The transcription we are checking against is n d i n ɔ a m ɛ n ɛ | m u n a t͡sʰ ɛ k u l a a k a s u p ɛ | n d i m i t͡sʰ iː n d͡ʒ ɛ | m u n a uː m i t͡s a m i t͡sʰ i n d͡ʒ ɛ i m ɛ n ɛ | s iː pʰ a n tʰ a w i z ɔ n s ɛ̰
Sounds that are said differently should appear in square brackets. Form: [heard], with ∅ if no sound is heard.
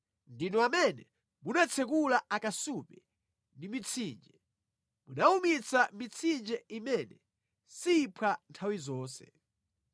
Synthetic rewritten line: n d i n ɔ a m ɛ n ɛ | m u n a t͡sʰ ɛ k u l a a k a s u p ɛ | n d i m i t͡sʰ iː n d͡ʒ ɛ | m u n a [u] m i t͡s a m i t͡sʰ i n d͡ʒ ɛ i m ɛ n ɛ | s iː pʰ a n tʰ a w i z [ɔː] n s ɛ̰